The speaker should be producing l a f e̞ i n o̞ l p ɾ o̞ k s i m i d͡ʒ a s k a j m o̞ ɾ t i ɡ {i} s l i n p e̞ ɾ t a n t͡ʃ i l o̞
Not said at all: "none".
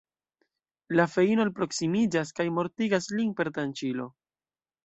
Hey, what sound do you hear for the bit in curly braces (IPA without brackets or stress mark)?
a